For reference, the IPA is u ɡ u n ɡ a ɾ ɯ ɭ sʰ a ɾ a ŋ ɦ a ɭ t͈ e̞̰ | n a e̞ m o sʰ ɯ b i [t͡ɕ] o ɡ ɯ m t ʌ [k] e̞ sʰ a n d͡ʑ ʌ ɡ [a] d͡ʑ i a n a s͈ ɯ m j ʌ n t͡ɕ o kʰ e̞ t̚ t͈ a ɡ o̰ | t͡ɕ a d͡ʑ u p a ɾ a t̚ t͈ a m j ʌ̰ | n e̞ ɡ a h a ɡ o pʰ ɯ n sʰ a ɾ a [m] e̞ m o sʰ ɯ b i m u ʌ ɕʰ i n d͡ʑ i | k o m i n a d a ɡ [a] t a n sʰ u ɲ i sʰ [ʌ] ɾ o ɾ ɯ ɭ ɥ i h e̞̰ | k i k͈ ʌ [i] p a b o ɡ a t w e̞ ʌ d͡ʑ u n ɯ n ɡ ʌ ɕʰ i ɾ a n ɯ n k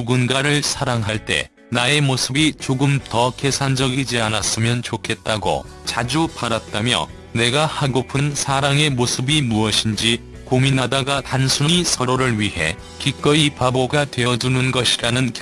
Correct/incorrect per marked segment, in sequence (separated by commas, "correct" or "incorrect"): correct, correct, incorrect, incorrect, correct, correct, correct